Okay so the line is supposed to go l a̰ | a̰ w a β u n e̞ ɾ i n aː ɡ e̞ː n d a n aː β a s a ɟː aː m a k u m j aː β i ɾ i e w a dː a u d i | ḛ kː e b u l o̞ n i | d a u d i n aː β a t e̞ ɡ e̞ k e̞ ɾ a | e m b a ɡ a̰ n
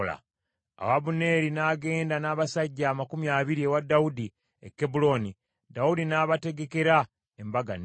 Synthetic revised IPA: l a̰ | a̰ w a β u n e̞ ɾ i n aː ɡ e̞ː n d a n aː β a s a ɟː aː m a k u m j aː β i ɾ i e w a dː a u d i | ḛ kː e b u l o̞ n i | d a u d i n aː β a t e̞ ɡ e̞ k e̞ ɾ a | e m b a ɡ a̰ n